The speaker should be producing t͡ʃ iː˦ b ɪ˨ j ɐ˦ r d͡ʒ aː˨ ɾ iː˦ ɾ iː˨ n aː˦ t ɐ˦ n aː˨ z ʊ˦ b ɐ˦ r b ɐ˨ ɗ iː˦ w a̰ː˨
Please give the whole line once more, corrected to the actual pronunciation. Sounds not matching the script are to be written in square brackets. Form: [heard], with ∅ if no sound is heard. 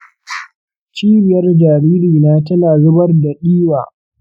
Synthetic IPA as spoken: t͡ʃ iː˦ b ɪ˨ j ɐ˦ r d͡ʒ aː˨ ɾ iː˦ ɾ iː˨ n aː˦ t ɐ˦ n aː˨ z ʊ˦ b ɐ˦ r [d] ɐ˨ ɗ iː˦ w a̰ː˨